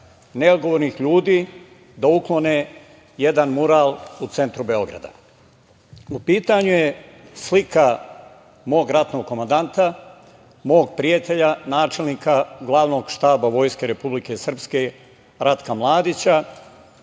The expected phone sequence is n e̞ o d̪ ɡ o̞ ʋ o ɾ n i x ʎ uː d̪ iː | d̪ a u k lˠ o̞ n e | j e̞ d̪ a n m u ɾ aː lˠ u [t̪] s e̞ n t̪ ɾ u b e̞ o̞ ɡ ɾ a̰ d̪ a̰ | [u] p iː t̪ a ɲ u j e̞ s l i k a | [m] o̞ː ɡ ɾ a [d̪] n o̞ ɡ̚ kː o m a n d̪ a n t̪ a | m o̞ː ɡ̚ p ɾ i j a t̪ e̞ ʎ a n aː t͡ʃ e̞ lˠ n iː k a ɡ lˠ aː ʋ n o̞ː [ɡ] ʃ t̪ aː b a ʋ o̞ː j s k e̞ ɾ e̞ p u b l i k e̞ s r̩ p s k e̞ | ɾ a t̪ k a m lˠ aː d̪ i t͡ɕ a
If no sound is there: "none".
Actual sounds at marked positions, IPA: t̪, u, m, t̪, ɡ

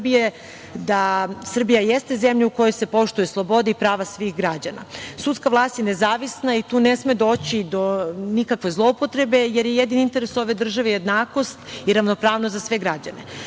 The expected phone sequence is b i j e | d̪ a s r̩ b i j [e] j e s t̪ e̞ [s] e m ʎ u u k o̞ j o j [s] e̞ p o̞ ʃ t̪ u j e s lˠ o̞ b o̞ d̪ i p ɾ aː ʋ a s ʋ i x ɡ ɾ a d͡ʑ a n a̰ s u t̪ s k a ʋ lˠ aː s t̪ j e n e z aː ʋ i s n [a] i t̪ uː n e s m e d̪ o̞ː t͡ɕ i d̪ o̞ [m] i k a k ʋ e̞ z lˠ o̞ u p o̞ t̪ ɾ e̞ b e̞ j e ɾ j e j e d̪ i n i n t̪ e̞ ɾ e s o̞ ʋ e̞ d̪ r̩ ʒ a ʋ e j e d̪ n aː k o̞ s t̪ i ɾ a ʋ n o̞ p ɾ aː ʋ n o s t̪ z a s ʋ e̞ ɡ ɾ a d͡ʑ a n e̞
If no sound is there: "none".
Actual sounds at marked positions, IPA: a, z, s, a, n

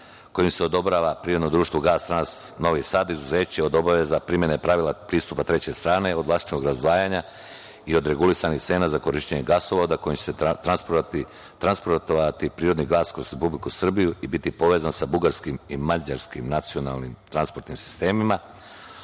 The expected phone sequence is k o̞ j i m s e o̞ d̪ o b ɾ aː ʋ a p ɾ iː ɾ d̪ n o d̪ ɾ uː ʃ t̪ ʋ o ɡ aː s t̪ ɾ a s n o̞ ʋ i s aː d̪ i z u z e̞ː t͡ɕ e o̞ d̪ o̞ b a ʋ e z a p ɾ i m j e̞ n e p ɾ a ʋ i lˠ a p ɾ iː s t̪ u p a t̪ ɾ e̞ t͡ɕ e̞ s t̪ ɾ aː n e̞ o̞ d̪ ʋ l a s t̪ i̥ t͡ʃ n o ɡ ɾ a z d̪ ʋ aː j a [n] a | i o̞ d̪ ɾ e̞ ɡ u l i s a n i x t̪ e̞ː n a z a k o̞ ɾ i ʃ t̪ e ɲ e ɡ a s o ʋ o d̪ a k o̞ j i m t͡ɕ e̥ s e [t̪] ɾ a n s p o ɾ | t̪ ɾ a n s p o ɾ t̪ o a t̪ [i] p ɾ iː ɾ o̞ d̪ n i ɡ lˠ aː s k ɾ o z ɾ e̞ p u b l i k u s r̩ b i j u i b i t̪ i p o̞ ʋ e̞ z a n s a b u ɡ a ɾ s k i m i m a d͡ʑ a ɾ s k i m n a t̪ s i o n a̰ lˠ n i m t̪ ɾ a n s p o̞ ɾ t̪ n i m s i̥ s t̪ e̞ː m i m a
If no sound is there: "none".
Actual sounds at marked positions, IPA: ɲ, t̪, i

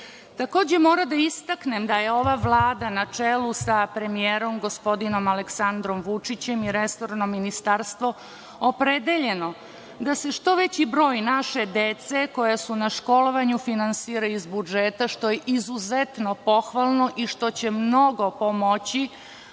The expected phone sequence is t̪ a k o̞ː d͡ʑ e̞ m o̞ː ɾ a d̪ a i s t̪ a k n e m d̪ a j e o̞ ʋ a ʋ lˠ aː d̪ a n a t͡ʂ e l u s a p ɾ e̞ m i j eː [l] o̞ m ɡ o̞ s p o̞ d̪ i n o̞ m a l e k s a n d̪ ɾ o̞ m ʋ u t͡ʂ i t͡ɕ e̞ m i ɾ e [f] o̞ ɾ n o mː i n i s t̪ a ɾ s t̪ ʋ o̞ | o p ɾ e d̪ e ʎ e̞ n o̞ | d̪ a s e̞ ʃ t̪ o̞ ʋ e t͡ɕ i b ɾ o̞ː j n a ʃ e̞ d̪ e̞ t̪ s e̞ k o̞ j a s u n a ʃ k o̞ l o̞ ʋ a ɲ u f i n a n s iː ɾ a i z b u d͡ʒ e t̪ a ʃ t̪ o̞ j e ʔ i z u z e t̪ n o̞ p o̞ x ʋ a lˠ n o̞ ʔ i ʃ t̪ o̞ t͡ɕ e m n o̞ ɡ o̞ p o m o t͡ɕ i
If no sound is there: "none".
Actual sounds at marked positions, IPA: ɾ, s

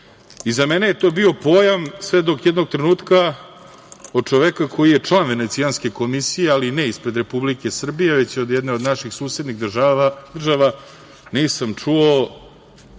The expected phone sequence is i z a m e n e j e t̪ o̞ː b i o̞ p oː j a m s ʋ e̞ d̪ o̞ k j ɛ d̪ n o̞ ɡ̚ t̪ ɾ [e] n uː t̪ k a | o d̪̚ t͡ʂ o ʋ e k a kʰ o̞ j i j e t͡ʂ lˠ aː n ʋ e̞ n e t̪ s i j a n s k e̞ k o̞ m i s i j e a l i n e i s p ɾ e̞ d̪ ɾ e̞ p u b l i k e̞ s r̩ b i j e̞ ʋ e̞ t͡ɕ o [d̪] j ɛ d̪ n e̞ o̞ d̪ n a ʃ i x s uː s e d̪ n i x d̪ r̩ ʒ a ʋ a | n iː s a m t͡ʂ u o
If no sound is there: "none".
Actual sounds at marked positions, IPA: e, d̪

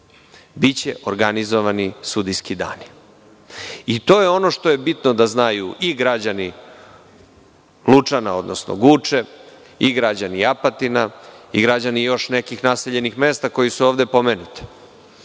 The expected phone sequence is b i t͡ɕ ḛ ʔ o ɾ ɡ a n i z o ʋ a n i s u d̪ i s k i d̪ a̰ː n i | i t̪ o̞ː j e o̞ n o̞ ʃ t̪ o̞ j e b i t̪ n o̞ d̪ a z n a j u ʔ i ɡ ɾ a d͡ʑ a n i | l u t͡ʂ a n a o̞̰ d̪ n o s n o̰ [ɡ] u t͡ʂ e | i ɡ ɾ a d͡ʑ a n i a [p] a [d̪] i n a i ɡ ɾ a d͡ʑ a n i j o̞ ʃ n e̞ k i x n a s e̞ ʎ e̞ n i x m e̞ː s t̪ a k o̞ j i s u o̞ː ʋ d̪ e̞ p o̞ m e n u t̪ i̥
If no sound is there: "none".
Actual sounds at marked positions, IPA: ɡ, p, t̪

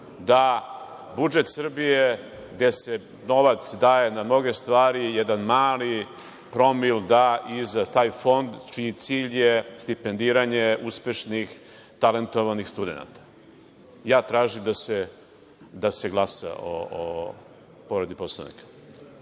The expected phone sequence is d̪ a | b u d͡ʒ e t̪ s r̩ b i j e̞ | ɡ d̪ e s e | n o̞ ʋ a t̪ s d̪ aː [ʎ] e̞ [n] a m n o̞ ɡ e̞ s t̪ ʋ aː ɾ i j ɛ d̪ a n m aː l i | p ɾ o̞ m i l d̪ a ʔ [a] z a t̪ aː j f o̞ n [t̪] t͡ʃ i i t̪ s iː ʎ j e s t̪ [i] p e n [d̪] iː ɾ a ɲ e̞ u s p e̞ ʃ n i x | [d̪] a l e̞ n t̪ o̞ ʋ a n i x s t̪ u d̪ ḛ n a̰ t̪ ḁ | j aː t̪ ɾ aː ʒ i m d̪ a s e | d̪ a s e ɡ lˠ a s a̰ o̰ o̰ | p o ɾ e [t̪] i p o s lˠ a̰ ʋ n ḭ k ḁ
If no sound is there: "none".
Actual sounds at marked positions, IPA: j, n, i, d̪, i, d̪, t̪, d̪

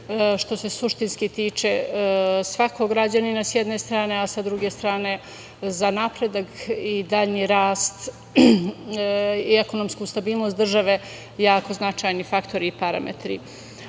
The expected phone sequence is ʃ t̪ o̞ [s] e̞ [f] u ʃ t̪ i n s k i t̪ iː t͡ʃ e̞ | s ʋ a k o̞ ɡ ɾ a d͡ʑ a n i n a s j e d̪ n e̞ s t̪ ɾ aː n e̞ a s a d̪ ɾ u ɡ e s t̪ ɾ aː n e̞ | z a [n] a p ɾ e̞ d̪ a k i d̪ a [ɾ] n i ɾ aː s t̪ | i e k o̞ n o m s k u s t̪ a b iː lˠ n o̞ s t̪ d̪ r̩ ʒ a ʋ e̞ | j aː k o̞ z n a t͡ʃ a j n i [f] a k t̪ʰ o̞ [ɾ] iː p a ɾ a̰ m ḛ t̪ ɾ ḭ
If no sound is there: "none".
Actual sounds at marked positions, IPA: s, s, n, ʎ, f, ɾ

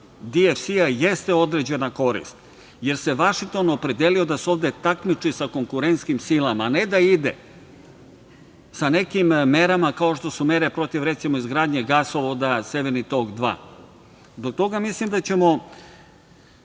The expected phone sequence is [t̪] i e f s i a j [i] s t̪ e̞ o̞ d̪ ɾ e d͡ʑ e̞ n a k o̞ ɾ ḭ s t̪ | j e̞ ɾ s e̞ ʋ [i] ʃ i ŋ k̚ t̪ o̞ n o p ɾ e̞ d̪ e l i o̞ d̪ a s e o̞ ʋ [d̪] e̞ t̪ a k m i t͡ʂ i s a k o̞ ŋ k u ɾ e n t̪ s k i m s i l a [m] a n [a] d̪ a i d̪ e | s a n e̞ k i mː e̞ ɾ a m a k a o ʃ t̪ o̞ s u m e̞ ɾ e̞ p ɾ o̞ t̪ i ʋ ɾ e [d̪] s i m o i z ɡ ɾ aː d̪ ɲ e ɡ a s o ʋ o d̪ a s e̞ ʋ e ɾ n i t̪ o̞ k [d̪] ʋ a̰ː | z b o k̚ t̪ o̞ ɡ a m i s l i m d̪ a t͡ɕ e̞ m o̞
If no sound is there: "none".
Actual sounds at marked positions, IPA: d̪, e, a, d̪, m, e, t̪, d̪

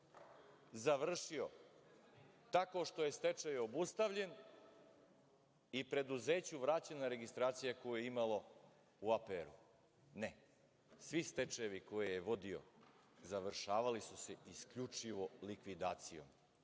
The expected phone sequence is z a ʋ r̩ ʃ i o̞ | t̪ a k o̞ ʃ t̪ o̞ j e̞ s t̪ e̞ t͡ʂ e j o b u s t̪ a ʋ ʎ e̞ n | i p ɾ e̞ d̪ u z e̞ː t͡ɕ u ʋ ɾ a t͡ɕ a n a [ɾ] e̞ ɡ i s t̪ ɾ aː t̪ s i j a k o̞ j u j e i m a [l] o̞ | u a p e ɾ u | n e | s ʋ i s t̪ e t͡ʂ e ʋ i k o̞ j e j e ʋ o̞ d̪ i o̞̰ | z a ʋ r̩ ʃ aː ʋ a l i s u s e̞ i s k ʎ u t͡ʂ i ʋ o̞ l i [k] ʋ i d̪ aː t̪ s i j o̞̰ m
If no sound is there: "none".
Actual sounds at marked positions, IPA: ɾ, l, k

